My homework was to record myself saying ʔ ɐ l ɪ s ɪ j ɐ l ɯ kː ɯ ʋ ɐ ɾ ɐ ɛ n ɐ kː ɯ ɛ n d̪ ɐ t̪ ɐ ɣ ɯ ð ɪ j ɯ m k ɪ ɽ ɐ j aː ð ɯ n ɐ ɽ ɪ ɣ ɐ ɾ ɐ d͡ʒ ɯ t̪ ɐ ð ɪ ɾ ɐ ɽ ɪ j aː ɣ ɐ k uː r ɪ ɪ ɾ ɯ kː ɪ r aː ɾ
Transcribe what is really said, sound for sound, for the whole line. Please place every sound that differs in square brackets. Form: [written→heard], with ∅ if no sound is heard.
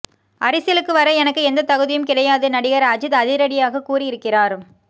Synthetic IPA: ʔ ɐ [l→ɾ] ɪ s ɪ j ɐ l ɯ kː ɯ ʋ ɐ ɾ ɐ ɛ n ɐ kː ɯ ɛ n d̪ ɐ t̪ ɐ ɣ ɯ ð ɪ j ɯ m k ɪ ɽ ɐ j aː ð ɯ n ɐ ɽ ɪ ɣ ɐ ɾ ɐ d͡ʒ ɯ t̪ ɐ ð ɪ ɾ ɐ ɽ ɪ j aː ɣ ɐ k uː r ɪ ɪ ɾ ɯ kː ɪ r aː ɾ